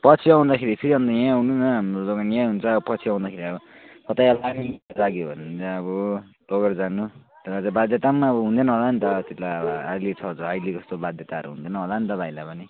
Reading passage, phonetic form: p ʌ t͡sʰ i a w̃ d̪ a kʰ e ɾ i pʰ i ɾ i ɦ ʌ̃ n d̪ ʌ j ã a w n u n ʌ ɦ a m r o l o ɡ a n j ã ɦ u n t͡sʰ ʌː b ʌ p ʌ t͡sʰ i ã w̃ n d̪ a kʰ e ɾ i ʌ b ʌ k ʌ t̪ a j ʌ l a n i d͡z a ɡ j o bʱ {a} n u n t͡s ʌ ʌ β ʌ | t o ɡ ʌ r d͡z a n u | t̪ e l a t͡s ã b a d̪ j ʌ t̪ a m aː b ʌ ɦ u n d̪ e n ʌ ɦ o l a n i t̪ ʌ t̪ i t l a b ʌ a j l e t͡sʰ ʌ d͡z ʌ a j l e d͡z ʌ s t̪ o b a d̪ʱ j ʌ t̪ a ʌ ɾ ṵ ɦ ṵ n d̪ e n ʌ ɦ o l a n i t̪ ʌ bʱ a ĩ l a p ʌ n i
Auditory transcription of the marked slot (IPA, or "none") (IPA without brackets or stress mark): ʌ